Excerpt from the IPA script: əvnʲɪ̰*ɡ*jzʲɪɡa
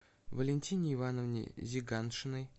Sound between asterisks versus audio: incorrect: none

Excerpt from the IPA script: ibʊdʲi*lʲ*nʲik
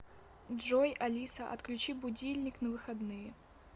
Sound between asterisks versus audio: correct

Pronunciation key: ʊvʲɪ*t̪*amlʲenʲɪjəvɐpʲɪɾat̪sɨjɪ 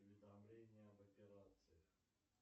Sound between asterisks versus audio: incorrect: d̪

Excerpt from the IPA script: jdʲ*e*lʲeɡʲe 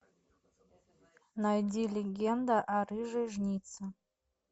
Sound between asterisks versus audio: incorrect: i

